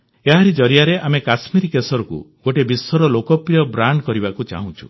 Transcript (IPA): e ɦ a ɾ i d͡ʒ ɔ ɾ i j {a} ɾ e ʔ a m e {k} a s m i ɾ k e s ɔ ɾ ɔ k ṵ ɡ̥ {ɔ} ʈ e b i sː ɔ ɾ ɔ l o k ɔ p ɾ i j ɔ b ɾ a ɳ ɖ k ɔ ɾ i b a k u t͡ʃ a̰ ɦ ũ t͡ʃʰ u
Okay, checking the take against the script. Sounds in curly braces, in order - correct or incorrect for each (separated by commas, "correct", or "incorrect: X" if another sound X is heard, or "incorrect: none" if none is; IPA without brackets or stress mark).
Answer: correct, correct, incorrect: o